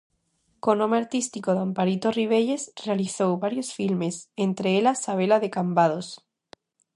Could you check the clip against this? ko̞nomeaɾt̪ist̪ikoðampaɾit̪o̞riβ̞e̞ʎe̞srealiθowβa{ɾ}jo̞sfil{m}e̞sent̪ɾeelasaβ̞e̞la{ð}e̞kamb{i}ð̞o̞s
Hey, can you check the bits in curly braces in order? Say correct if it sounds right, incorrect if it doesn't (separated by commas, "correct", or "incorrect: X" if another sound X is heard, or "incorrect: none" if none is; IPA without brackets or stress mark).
correct, correct, correct, incorrect: a